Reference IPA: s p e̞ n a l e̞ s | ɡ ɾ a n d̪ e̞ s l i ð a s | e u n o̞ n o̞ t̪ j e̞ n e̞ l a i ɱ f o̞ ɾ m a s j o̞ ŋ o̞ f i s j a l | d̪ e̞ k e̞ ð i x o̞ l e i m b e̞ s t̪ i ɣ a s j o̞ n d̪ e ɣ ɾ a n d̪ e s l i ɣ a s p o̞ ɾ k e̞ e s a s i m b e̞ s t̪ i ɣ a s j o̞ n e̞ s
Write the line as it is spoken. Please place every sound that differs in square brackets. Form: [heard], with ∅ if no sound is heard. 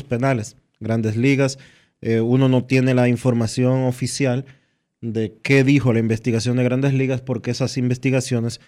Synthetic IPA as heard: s p e̞ n a l e̞ s | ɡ ɾ a n d̪ e̞ s l i [ɣ] a s | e u n o̞ n o̞ t̪ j e̞ n e̞ l a i ɱ f o̞ ɾ m a s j o̞ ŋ o̞ f i s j a l | d̪ e̞ k e̞ ð i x o̞ l [a] i m b e̞ s t̪ i ɣ a s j o̞ n d̪ e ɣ ɾ a n d̪ e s l i ɣ a s p o̞ ɾ k e̞ e s a s i m b e̞ s t̪ i ɣ a s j o̞ n e̞ s